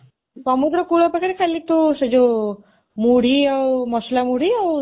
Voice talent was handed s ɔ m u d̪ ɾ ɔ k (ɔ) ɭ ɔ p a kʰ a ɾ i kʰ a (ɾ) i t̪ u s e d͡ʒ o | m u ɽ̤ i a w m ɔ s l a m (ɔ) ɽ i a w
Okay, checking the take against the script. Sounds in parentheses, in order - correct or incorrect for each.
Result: incorrect: u, incorrect: l, incorrect: u

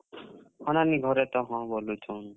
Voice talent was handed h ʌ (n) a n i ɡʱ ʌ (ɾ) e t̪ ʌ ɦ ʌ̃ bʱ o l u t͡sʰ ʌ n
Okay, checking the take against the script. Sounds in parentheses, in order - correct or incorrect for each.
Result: correct, correct

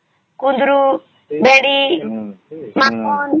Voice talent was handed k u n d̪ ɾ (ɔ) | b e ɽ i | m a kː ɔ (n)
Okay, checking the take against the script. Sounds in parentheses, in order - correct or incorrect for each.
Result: incorrect: u, correct

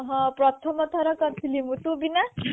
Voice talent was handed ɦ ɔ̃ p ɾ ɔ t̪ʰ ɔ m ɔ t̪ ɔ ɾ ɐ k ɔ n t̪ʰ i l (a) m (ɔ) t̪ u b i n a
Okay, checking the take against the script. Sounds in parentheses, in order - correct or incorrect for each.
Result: incorrect: i, incorrect: u

